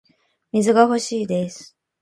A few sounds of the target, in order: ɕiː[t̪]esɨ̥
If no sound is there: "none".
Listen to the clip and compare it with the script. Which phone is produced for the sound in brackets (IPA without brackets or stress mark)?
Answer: d̪